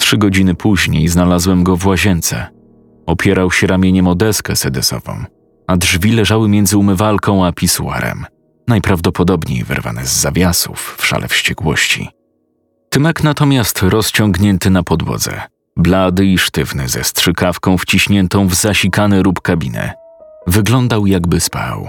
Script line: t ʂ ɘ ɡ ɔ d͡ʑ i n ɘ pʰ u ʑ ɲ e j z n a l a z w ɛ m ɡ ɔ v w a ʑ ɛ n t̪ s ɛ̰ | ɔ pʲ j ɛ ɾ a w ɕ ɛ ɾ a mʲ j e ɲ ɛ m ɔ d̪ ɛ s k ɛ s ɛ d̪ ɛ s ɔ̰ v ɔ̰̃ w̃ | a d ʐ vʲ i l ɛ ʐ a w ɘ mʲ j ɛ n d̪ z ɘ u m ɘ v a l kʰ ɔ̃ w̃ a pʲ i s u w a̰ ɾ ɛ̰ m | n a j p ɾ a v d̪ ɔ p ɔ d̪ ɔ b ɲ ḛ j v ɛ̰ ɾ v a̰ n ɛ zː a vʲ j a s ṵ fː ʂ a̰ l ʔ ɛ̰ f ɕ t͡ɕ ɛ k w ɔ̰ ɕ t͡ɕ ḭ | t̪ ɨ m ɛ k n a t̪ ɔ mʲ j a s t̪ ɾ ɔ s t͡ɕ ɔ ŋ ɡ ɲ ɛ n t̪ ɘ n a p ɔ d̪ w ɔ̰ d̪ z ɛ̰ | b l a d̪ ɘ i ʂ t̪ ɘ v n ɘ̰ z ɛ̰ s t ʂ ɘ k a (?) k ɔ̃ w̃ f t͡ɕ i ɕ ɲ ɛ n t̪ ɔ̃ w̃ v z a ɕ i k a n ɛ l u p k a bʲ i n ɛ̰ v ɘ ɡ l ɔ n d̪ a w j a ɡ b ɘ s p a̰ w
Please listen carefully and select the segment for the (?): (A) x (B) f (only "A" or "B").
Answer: B